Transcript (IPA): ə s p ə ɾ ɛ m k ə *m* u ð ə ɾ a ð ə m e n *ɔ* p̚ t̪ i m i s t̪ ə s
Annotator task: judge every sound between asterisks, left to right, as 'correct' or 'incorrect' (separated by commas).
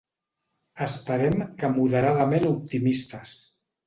correct, incorrect